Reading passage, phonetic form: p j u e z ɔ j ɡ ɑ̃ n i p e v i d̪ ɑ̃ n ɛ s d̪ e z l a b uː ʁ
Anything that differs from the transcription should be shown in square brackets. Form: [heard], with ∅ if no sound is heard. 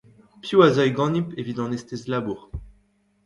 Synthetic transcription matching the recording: p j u [a] z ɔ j ɡ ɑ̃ n i p e v i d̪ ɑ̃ n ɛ s [t̪] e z l a b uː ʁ